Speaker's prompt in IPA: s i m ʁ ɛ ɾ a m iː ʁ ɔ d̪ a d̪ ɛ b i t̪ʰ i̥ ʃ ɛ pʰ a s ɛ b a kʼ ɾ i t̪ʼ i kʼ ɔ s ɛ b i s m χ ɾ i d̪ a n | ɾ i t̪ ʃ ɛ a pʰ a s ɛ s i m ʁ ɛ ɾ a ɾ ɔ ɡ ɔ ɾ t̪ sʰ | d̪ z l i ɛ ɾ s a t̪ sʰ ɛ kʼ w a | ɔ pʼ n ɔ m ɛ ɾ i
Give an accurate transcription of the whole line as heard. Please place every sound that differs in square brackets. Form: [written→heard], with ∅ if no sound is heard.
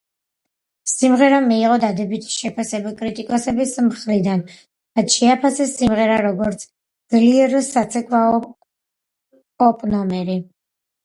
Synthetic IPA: s i m ʁ ɛ ɾ a m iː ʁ ɔ d̪ a d̪ ɛ b i t̪ʰ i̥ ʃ ɛ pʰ a s ɛ b a kʼ ɾ i t̪ʼ i kʼ ɔ s ɛ b i s m χ ɾ i d̪ a n | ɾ [i→a] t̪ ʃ ɛ a pʰ a s ɛ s i m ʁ ɛ ɾ a ɾ ɔ ɡ ɔ ɾ t̪ sʰ | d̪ z l i ɛ ɾ s a t̪ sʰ ɛ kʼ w a | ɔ pʼ n ɔ m ɛ ɾ i